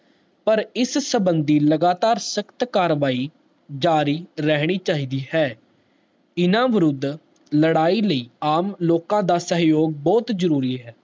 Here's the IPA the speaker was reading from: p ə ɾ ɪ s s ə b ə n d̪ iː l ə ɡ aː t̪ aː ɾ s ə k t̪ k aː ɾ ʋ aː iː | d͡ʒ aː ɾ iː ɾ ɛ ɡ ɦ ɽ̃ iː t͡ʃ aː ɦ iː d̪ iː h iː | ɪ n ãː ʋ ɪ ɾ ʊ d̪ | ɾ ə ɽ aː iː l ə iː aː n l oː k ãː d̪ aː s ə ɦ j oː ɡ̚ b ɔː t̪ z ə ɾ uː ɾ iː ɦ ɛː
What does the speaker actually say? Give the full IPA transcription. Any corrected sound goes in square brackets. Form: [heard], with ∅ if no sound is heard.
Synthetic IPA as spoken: p ə ɾ ɪ s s ə b ə n d̪ iː l ə ɡ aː t̪ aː ɾ s ə k t̪ k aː ɾ ʋ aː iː | d͡ʒ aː ɾ iː ɾ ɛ [∅] ɦ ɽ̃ iː t͡ʃ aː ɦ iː d̪ iː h [ɛː] | ɪ n ãː ʋ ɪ ɾ ʊ d̪ | [l] ə ɽ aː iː l ə iː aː [m] l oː k ãː d̪ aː s ə ɦ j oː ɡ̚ b ɔː t̪ z ə ɾ uː ɾ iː ɦ ɛː